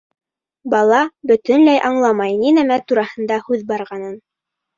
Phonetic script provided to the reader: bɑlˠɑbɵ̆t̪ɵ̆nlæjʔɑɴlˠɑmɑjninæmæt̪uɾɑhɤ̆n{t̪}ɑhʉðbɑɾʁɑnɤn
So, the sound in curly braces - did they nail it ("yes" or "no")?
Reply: no